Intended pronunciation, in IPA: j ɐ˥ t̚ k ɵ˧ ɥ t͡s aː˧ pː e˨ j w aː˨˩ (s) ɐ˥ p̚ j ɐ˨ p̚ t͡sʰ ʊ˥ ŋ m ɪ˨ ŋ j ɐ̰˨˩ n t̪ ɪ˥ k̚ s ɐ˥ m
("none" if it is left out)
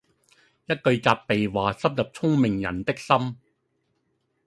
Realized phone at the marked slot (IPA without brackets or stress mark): s